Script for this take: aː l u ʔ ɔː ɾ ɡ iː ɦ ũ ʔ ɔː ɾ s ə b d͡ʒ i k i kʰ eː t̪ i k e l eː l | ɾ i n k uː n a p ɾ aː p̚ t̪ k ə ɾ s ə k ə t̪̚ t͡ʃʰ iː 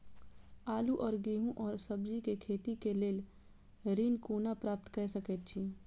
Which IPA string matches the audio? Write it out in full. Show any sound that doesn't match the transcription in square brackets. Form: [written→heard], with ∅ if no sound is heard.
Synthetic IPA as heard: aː l u ʔ ɔː ɾ ɡ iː ɦ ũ ʔ ɔː ɾ s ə b d͡ʒ i k [i→e] kʰ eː t̪ i k e l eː l | ɾ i n k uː n a p ɾ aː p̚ t̪ k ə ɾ s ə k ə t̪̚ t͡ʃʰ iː